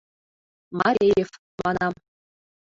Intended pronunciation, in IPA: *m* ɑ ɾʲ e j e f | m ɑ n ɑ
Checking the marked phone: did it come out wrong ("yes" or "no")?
no